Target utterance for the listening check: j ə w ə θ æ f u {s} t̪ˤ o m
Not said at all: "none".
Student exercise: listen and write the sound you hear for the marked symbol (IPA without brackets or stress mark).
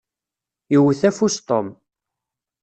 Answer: s